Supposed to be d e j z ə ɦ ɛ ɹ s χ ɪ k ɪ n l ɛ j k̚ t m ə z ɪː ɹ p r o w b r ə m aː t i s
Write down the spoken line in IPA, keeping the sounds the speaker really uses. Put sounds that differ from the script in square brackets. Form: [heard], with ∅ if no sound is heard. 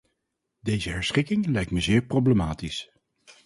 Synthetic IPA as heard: d e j z ə ɦ ɛ ɹ s χ ɪ k ɪ [ŋ] l ɛ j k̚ t m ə z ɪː ɹ p r o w b [l] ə m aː t i s